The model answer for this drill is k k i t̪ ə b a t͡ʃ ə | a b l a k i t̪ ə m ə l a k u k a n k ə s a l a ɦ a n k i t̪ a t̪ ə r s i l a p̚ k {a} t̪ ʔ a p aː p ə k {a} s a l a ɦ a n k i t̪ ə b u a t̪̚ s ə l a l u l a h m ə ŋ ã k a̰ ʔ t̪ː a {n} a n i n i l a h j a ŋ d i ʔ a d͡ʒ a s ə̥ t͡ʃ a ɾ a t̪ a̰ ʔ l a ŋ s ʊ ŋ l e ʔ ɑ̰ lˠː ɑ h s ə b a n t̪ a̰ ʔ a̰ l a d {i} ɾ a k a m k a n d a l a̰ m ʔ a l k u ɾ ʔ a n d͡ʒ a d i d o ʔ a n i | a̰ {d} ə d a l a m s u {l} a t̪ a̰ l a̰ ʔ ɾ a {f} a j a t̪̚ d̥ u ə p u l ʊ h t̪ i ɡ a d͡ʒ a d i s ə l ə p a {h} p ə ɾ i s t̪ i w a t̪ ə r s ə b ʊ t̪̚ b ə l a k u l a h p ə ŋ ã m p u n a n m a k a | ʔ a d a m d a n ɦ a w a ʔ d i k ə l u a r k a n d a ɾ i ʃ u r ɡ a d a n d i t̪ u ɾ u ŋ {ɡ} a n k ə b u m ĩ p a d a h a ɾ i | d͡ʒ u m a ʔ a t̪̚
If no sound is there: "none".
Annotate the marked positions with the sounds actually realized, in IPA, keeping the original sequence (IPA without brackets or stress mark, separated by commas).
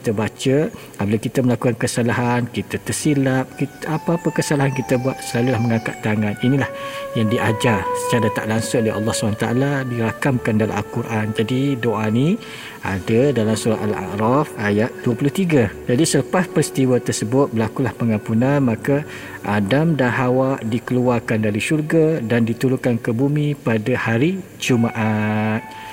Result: i, ə, ŋ, i, d, ɾ, f, s, k